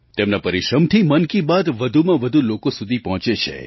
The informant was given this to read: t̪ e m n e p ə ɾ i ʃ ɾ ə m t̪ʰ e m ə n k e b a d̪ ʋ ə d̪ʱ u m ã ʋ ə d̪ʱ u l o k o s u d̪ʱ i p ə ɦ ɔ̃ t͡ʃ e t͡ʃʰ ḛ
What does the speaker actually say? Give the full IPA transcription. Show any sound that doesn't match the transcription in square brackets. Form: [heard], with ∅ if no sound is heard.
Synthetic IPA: t̪ e m n [a] p ə ɾ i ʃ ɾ ə m t̪ʰ [i] m ə n k [i] b a d̪ ʋ ə d̪ʱ u m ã ʋ ə d̪ʱ u l o k o s u d̪ʱ i p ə ɦ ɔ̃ t͡ʃ e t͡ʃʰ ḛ